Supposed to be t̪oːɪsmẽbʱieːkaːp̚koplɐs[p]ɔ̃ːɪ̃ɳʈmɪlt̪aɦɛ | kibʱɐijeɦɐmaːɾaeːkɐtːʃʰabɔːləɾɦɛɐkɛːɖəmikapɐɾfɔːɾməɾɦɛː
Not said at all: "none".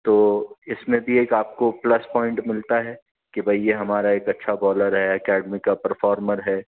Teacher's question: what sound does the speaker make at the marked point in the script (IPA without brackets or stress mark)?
p